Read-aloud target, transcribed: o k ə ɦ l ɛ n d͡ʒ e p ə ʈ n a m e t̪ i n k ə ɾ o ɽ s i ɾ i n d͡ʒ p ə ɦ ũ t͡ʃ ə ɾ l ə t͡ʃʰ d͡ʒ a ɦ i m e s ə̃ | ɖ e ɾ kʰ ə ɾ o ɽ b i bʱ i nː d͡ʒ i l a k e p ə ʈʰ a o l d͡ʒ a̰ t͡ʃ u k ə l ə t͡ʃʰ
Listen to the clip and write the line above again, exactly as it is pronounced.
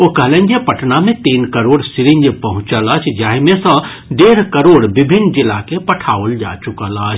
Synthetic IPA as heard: o k ə ɦ l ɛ n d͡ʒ e p ə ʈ n a m e t̪ i n k ə ɾ o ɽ s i ɾ i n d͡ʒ p ə ɦ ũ t͡ʃ ə l ə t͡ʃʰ d͡ʒ a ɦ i m e s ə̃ | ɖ e ɾ k ə ɾ o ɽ b i bʱ i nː d͡ʒ i l a k e p ə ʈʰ a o l d͡ʒ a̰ t͡ʃ u k ə l ə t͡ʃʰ